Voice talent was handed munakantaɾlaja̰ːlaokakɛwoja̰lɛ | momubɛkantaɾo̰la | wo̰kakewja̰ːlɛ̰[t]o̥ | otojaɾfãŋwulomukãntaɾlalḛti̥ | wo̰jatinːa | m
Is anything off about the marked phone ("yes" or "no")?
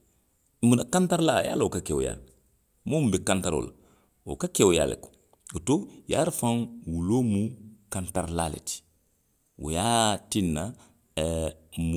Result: yes